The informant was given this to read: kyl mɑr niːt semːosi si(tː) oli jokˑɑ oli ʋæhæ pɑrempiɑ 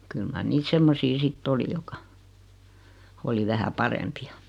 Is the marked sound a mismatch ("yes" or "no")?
no